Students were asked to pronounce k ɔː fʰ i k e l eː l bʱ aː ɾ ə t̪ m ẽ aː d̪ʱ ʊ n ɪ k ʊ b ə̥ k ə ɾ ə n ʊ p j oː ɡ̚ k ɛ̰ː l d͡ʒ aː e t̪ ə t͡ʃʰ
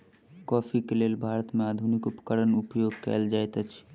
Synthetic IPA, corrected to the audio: k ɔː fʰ i k e l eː l bʱ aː ɾ ə t̪ m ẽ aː d̪ʱ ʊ n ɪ k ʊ p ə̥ k ə ɾ ə n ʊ p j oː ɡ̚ k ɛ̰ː l d͡ʒ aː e t̪ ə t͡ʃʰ